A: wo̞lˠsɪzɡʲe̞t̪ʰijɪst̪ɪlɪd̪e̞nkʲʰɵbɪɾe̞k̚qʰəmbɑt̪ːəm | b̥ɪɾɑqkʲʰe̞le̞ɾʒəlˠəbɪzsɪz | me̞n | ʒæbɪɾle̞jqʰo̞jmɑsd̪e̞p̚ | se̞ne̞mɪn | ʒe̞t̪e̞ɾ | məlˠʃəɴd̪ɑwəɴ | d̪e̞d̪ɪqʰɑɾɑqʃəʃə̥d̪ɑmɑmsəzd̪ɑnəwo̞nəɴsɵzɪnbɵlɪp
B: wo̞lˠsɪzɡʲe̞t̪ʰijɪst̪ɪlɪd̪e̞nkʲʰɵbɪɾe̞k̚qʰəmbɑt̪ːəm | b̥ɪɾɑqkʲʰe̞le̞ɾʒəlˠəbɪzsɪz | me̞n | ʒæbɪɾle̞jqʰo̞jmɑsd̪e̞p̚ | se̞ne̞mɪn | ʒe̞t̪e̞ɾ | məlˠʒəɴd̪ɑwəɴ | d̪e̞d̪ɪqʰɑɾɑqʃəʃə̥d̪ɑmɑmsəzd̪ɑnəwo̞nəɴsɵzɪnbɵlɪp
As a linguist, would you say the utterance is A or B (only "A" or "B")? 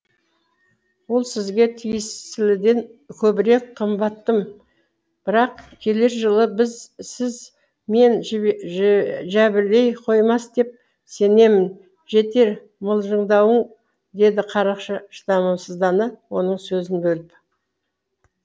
B